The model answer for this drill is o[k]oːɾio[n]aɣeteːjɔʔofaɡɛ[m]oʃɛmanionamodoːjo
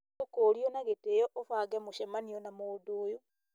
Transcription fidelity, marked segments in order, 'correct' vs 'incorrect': correct, correct, correct

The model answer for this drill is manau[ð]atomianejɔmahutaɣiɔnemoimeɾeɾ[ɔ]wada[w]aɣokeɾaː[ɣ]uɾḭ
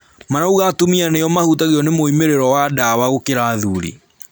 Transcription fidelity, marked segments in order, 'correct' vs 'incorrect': incorrect: ɣ, correct, correct, incorrect: ð

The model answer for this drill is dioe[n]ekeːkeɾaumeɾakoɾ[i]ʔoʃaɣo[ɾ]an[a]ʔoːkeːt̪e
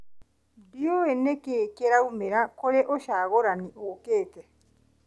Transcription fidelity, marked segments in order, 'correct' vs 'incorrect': correct, incorrect: e, correct, incorrect: i

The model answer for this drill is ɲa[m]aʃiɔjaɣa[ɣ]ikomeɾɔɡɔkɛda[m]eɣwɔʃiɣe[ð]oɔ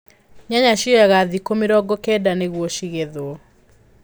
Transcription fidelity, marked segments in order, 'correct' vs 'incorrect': incorrect: ɲ, incorrect: ð, incorrect: n, correct

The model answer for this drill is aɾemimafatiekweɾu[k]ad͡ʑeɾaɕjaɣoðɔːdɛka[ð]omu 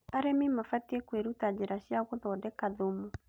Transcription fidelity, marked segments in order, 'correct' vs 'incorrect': incorrect: t, correct

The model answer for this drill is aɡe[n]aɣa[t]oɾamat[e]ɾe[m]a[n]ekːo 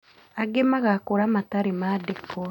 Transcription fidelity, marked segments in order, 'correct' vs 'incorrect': incorrect: m, incorrect: k, incorrect: a, correct, incorrect: d

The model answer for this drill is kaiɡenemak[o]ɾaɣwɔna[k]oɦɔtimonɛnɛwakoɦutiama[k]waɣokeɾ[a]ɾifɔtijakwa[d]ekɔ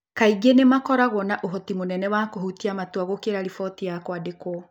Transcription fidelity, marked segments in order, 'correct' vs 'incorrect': incorrect: ɔ, incorrect: ʔ, incorrect: t, correct, correct

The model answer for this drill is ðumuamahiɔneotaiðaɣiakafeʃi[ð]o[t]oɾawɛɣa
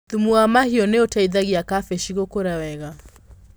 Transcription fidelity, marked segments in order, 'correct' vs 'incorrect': incorrect: ɣ, incorrect: k

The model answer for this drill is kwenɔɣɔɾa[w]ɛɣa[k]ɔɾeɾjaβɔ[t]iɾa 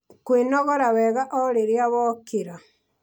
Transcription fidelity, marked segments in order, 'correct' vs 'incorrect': correct, incorrect: ʔ, incorrect: k

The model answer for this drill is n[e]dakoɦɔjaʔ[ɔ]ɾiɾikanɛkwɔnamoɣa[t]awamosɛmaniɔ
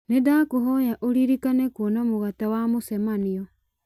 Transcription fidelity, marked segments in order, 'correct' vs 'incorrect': correct, incorrect: o, correct

